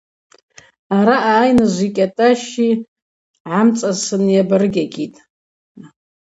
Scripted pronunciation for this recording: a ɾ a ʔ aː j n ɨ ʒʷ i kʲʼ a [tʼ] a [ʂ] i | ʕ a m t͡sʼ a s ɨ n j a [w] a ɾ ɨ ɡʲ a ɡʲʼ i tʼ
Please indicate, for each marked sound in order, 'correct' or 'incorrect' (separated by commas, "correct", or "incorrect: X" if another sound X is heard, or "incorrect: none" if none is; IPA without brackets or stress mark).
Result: correct, incorrect: ʃ, incorrect: b